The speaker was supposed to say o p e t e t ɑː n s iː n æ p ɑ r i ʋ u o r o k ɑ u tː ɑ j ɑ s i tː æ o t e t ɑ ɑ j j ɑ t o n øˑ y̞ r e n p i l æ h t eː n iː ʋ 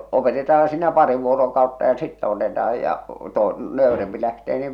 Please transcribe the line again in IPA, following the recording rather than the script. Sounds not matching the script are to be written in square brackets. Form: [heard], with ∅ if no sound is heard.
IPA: o p e t e t ɑː n s iː n æ p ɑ r i ʋ u o r o k ɑ u tː ɑ j ɑ s i tː æ o t e t ɑ ɑ j j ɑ t o n øˑ y̞ r e [m] p i l æ h t eː n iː ʋ